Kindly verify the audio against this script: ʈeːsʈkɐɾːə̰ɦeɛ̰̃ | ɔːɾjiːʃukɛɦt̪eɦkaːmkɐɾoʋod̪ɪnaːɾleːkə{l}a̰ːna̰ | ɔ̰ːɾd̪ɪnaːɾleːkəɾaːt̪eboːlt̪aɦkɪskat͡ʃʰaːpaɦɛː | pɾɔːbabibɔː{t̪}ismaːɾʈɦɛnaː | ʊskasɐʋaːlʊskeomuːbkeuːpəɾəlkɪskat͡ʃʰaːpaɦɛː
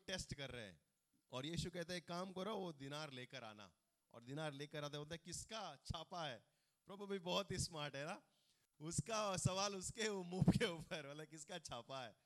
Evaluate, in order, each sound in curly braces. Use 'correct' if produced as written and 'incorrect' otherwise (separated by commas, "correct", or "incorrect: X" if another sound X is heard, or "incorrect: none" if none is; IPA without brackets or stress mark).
incorrect: ɾ, correct